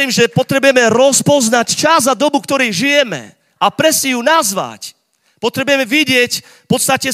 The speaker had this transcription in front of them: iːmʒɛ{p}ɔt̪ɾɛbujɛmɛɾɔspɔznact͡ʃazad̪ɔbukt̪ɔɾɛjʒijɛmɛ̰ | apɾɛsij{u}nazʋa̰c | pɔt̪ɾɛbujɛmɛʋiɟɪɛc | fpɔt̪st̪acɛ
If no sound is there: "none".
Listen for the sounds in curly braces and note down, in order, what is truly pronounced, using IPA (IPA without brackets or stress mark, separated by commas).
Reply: p, u